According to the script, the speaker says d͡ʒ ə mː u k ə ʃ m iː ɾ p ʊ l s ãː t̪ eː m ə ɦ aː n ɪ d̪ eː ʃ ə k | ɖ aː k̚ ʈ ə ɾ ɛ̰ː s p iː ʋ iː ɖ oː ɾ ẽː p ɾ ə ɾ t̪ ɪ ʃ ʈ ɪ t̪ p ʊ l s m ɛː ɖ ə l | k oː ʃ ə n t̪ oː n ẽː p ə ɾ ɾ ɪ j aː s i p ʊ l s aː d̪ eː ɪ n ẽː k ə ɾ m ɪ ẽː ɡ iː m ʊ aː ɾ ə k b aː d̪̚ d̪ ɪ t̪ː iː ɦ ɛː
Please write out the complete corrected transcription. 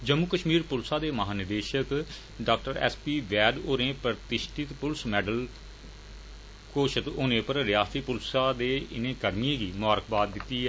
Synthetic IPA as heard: d͡ʒ ə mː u k ə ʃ m iː ɾ p ʊ l s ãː d̪ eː m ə ɦ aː n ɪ d̪ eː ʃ ə k | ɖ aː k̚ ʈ ə ɾ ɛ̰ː s p iː ʋ ɛː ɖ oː ɾ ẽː p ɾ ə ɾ t̪ ɪ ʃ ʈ ɪ t̪ p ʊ l s m ɛː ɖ ə l | k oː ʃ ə t̪ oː n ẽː p ə ɾ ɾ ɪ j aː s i p ʊ l s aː d̪ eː ɪ n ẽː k ə ɾ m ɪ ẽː ɡ iː m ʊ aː ɾ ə k b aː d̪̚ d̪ ɪ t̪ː iː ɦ ɛː

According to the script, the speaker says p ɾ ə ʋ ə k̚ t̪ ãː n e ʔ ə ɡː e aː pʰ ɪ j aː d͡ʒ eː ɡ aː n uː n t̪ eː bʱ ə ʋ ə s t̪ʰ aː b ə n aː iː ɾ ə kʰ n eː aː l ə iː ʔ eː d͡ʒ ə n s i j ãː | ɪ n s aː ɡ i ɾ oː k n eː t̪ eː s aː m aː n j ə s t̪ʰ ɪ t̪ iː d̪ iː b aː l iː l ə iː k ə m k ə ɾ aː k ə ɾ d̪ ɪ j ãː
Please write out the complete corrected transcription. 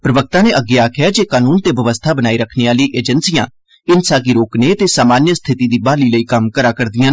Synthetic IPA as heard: p ɾ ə ʋ ə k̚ t̪ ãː n e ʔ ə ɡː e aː kʰ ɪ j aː d͡ʒ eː k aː n uː n t̪ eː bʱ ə ʋ ə s t̪ʰ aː b ə n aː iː ɾ ə kʰ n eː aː l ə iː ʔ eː d͡ʒ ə n s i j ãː | ɪ n s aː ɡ i ɾ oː k n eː t̪ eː s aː m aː n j ə s t̪ʰ ɪ t̪ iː d̪ iː b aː l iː l ə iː k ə m k ə ɾ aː k ə ɾ d̪ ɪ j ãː

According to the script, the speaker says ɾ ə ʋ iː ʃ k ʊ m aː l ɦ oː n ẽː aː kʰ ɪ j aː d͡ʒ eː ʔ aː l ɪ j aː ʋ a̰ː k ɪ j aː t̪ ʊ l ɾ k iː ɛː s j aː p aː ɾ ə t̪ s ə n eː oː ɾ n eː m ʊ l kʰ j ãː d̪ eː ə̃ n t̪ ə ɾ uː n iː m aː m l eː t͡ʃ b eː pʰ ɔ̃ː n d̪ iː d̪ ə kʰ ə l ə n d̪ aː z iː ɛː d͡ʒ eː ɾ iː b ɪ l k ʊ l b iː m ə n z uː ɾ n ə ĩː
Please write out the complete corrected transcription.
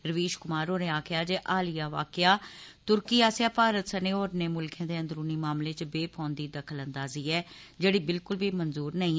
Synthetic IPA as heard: ɾ ə ʋ iː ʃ k ʊ m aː ɾ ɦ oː n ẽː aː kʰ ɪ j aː d͡ʒ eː ʔ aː l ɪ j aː ʋ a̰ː k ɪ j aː t̪ ʊ ɾ k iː aː s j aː p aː ɾ ə t̪ s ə n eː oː ɾ n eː m ʊ l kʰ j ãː d̪ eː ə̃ n d̪ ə ɾ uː n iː m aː m l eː t͡ʃ b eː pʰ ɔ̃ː n d̪ iː d̪ ə kʰ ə l ə n d̪ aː z iː ɛː d͡ʒ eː ɽ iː b ɪ l k ʊ l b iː m ə n z uː ɾ n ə ĩː

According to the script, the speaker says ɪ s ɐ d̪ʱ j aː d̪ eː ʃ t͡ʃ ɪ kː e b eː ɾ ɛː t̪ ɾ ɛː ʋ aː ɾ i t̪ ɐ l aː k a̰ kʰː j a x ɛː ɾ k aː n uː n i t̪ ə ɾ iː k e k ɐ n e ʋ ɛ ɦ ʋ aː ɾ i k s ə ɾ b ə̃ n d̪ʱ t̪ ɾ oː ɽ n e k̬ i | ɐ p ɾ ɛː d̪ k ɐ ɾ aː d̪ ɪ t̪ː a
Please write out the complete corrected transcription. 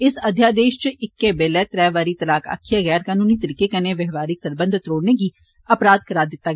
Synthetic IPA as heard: ɪ s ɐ d̪ʱ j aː d̪ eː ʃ t͡ʃ ɪ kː e b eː l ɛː t̪ ɾ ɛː ʋ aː ɾ i t̪ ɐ l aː k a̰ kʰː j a ɣ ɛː ɾ k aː n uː n i t̪ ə ɾ iː k e k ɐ n e ʋ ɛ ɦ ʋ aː ɾ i k s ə ɾ b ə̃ n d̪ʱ t̪ ɾ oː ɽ n e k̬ i | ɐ p ɾ aː d̪ k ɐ ɾ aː d̪ ɪ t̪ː a

